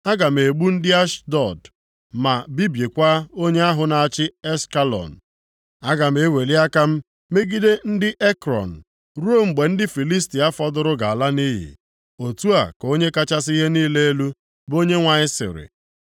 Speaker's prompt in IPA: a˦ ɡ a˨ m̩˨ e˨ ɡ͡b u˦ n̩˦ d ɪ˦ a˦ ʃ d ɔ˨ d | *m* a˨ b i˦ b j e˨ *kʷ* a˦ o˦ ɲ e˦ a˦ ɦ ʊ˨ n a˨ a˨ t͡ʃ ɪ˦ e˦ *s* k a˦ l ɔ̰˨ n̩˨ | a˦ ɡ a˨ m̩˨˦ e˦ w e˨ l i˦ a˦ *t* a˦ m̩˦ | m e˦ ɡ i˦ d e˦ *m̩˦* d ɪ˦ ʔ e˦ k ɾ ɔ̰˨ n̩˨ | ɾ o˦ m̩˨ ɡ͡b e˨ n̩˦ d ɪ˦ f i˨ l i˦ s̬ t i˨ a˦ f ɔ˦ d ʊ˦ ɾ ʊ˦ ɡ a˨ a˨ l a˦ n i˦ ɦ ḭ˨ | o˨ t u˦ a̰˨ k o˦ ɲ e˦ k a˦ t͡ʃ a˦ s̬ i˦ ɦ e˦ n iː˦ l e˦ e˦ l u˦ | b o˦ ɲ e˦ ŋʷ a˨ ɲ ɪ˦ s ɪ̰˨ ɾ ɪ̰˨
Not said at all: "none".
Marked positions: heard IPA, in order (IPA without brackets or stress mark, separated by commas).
m, kʷ, s, k, n̩˦